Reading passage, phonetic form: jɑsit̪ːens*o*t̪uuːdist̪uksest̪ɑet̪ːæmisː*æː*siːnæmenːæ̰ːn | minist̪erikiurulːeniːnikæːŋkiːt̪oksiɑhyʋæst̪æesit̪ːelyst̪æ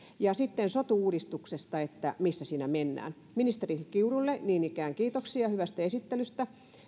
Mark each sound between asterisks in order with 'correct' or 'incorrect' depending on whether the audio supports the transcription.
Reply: correct, incorrect: æ

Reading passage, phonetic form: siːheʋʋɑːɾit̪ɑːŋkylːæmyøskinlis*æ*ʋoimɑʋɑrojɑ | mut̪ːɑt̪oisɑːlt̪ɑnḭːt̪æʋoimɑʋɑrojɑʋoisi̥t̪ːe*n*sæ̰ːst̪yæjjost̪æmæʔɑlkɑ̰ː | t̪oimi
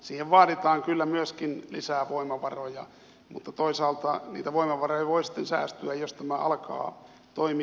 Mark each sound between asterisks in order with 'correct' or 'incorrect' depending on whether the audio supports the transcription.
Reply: incorrect: æː, correct

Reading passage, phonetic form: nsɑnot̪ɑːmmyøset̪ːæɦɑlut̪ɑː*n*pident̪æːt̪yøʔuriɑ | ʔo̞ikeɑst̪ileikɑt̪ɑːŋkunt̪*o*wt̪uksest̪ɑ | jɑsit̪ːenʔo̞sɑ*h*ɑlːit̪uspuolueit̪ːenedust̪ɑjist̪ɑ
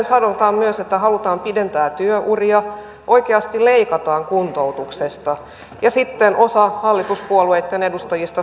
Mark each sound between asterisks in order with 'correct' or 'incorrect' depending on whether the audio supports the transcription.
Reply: incorrect: m, correct, correct

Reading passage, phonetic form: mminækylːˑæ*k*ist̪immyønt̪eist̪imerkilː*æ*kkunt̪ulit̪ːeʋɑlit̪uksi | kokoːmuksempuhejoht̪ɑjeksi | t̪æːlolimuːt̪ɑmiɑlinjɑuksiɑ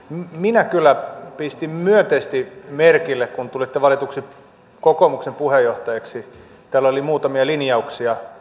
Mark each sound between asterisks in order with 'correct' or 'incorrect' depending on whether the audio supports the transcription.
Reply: incorrect: p, incorrect: e

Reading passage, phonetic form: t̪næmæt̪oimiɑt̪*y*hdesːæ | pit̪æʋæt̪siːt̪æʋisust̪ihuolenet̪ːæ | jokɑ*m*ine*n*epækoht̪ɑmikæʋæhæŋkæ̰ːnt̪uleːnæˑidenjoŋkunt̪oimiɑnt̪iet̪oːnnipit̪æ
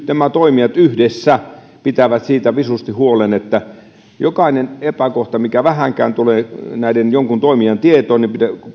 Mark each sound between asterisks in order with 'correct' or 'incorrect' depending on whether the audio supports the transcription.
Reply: correct, incorrect: none, correct

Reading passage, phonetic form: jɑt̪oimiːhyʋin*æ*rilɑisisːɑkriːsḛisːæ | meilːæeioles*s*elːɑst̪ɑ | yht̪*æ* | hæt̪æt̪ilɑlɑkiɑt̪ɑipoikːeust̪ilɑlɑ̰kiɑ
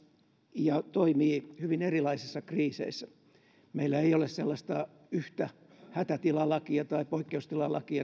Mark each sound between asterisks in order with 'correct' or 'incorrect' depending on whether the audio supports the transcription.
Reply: incorrect: e, correct, correct

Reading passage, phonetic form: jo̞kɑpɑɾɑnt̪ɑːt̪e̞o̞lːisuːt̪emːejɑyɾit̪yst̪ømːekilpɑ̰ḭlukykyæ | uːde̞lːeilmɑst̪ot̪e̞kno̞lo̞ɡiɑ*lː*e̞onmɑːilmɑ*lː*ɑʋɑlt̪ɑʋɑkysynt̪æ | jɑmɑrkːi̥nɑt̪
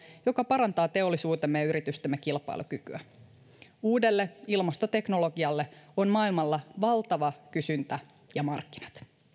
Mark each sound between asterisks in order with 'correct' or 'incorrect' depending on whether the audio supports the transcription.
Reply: correct, correct

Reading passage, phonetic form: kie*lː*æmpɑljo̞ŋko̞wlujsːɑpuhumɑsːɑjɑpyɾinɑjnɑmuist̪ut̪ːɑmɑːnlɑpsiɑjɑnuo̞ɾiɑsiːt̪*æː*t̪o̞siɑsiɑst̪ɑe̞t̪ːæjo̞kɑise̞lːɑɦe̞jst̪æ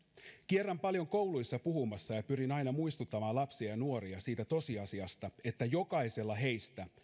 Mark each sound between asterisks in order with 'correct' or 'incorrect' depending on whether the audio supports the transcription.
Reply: incorrect: rː, incorrect: æ

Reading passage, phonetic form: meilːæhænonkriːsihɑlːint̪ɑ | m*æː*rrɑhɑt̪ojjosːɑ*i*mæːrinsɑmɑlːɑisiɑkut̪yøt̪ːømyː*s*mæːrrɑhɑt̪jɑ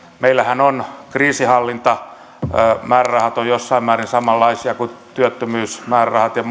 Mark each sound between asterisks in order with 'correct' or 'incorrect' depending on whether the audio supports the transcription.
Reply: correct, correct, correct

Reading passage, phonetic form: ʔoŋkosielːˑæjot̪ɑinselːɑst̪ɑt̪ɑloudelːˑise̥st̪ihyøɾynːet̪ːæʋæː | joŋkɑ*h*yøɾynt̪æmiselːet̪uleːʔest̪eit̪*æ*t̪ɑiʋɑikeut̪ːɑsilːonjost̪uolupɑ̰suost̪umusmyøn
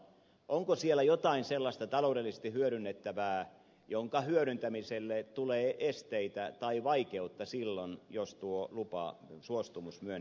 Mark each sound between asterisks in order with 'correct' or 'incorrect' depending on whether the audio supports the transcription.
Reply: correct, correct

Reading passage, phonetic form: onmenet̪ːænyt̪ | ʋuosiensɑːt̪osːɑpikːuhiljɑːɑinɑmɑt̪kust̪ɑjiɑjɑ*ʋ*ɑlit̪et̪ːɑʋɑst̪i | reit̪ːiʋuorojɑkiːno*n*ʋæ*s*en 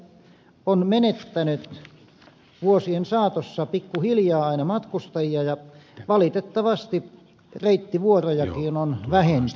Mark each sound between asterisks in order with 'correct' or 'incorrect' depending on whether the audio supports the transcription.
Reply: correct, correct, incorrect: h

